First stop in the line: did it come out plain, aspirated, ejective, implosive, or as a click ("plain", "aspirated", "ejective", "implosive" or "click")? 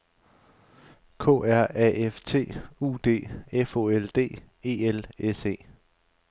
aspirated